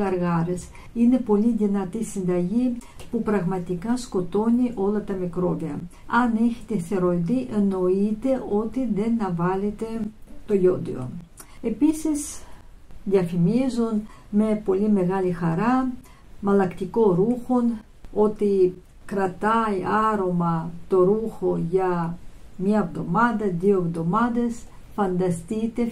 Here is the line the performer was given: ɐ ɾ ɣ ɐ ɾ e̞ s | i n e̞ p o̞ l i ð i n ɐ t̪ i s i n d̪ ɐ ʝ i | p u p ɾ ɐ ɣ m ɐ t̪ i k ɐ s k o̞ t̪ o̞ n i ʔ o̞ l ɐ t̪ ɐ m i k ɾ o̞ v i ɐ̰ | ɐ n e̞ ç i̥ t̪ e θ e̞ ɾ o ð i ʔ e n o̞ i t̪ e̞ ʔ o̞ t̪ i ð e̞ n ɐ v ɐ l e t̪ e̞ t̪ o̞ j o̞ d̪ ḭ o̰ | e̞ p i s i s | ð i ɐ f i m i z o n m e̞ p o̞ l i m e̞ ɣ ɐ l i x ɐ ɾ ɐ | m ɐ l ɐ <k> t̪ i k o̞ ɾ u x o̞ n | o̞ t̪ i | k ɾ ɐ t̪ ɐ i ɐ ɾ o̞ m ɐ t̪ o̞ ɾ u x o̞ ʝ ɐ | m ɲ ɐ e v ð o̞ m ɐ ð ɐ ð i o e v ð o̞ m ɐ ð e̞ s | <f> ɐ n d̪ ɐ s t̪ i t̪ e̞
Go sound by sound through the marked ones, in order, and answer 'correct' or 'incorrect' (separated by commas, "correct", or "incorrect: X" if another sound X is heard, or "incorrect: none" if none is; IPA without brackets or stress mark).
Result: correct, correct